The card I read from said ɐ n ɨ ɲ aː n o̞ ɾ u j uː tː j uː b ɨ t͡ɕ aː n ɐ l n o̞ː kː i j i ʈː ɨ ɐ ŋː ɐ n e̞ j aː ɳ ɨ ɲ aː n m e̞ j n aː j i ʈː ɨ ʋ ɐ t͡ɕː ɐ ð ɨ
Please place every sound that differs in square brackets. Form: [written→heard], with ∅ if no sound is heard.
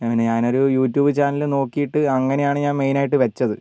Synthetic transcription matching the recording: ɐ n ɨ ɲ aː n o̞ ɾ u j uː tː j uː b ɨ t͡ɕ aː n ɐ l n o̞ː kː i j i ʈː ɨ ɐ ŋː ɐ n e̞ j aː ɳ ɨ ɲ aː n m e̞ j n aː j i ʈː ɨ ʋ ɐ t͡ɕː ɐ ð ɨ